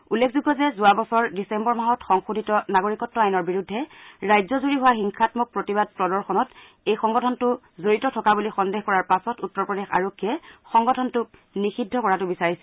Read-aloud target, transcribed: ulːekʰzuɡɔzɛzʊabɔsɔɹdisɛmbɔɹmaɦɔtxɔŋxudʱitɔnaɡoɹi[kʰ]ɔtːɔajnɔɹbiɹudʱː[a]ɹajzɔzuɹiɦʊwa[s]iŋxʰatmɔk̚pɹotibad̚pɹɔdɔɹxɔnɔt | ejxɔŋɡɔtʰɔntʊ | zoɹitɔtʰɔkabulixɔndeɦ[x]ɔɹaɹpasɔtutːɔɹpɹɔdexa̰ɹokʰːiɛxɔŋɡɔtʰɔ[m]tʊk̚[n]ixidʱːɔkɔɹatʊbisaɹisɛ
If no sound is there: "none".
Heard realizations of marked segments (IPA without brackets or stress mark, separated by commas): k, ɛ, x, k, n, n